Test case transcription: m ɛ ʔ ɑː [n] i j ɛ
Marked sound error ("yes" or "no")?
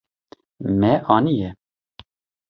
no